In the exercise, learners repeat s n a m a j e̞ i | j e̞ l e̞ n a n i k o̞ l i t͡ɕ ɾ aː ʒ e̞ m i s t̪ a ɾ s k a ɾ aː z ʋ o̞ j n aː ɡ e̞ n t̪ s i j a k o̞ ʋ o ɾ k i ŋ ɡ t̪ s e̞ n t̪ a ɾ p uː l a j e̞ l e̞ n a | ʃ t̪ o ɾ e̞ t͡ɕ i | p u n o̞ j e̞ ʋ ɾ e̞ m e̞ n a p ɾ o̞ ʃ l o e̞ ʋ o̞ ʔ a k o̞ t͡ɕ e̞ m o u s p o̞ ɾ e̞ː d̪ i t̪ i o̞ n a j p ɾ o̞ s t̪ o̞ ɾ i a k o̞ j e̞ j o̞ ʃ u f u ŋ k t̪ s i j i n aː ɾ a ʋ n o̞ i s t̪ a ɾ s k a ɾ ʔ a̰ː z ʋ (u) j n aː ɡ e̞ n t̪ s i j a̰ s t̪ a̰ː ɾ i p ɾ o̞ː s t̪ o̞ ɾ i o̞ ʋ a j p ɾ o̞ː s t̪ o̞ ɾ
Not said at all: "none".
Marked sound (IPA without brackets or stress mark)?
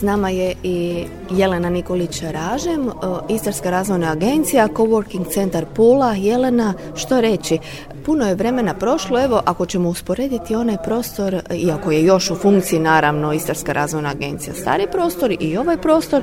o